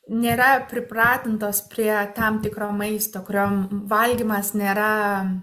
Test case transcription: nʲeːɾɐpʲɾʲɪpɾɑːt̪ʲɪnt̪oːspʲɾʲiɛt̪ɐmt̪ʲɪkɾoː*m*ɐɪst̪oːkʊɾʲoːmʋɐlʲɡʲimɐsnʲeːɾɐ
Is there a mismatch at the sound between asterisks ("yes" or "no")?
no